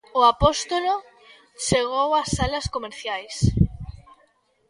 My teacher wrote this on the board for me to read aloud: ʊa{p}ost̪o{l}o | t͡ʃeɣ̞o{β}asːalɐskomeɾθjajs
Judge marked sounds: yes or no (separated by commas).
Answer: yes, yes, no